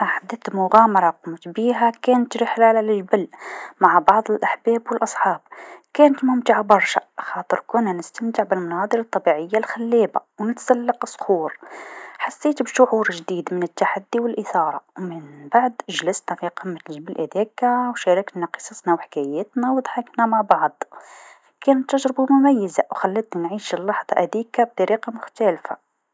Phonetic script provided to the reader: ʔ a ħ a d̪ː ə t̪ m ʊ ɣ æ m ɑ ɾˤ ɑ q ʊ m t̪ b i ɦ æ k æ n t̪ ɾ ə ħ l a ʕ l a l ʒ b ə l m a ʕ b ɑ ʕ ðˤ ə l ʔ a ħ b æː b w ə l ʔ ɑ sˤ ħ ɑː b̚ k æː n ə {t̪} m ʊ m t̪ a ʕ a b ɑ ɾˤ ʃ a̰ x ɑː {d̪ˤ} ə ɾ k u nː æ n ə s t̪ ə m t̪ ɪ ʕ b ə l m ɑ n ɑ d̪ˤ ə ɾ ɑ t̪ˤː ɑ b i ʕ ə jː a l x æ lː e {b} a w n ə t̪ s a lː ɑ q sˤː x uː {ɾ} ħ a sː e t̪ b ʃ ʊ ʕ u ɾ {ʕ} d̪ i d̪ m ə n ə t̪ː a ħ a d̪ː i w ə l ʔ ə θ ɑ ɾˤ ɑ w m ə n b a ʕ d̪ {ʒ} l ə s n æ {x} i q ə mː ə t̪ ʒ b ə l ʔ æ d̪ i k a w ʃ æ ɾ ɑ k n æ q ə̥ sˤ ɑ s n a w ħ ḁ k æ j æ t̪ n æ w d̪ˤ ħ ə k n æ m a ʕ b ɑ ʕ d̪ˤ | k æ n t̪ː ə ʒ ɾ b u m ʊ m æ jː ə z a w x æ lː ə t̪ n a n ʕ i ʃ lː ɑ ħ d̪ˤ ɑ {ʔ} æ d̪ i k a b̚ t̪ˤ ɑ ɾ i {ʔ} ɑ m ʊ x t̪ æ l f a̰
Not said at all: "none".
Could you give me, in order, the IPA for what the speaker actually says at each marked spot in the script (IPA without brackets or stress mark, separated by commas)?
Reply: t̪, t̪ˤ, b, ɾ, ʒ, ʒ, f, ʔ, q